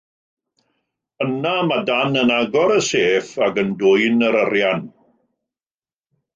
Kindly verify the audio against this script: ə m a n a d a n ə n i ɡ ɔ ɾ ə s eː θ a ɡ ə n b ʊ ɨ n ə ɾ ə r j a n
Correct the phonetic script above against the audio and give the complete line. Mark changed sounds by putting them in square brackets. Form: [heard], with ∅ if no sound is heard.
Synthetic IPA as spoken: ə [n] a [m] a d a n ə n [a] ɡ ɔ ɾ ə s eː [f] a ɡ ə n [d] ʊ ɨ n ə ɾ ə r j a n